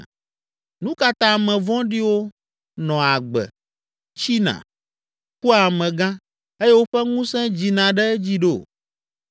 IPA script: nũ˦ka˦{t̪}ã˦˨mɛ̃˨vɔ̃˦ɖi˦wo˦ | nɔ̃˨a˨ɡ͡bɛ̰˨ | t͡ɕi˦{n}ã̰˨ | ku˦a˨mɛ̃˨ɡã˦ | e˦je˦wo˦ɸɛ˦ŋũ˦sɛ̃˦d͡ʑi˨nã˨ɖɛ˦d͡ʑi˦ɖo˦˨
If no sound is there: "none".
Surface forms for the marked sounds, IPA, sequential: t̪, n

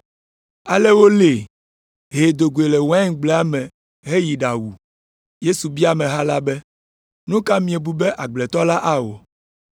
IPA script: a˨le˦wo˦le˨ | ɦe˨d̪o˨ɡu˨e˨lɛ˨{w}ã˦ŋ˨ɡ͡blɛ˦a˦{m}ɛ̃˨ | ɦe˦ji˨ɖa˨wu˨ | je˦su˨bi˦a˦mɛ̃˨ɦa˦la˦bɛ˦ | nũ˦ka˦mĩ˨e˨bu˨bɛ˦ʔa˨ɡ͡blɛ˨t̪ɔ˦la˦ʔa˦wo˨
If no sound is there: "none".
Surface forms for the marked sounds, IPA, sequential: w, m

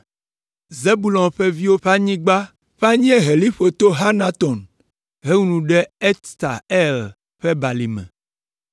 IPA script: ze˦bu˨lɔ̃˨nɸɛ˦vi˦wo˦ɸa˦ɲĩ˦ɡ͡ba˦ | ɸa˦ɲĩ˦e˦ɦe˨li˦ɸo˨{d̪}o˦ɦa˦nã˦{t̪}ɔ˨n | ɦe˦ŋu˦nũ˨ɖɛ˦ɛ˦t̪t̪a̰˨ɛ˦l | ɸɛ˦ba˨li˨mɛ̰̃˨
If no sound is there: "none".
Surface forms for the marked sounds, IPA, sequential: t̪, t̪

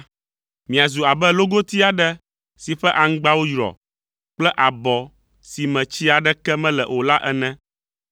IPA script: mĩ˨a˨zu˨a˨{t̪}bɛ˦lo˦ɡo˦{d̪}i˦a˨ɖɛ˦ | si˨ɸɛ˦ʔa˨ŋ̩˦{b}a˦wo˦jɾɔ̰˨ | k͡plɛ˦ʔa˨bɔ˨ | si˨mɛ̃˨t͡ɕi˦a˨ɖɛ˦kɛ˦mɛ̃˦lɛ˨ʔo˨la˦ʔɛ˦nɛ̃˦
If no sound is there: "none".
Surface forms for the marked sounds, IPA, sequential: none, t̪, ɡ͡b

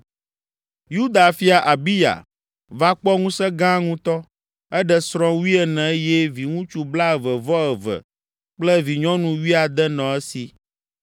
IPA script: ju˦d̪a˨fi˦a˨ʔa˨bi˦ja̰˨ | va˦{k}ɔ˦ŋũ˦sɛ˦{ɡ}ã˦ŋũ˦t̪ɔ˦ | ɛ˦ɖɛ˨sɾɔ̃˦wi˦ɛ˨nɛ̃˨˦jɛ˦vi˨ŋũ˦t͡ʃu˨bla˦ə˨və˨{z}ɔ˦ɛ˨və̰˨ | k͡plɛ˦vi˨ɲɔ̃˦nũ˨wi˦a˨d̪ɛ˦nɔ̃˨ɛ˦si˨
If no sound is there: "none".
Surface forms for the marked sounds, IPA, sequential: k͡p, ɡ, v

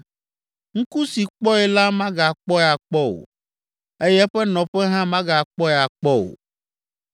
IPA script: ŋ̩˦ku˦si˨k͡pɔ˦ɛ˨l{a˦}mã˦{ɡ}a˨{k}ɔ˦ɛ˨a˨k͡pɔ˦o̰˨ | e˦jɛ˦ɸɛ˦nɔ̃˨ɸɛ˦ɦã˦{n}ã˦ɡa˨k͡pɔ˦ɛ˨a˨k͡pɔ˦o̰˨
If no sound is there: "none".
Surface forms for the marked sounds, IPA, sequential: a˦, ɡ, k͡p, m

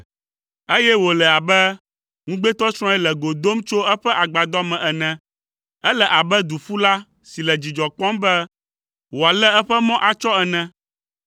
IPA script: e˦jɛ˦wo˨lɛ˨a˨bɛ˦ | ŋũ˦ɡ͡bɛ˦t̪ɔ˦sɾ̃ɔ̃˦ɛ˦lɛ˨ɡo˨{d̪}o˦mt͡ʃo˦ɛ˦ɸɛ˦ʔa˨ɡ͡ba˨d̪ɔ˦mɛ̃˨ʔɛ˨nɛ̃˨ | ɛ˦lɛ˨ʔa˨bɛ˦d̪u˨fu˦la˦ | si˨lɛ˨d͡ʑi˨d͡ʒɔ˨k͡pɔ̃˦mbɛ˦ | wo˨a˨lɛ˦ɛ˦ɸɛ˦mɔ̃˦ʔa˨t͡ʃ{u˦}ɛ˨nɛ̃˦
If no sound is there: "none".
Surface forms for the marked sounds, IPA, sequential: d̪, ɔ˦

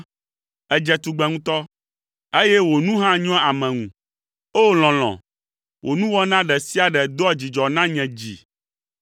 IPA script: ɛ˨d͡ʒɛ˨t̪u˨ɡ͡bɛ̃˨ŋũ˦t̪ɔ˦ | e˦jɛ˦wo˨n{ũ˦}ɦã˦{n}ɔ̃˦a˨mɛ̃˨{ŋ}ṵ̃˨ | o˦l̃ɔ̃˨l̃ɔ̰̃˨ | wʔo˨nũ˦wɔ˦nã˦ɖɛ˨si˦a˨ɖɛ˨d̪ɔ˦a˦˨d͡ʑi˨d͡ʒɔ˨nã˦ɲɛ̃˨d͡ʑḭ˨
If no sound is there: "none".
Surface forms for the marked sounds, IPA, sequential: ũ˦, ɲ, ŋ

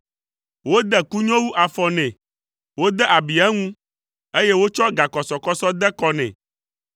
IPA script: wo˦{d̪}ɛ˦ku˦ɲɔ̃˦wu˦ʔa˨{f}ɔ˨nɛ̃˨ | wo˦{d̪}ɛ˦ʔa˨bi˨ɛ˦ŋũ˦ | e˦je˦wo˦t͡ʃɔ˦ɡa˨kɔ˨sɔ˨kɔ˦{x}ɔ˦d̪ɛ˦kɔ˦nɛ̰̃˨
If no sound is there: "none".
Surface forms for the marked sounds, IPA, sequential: d̪, f, d̪, s

